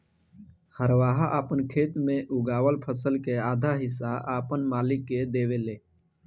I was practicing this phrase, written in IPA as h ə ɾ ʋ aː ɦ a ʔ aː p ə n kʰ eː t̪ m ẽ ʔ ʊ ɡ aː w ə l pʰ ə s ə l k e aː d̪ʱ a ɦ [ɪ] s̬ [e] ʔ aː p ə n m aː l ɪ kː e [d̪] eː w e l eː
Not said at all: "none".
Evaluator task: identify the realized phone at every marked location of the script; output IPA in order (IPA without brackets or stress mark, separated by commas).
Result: ɪ, a, d̪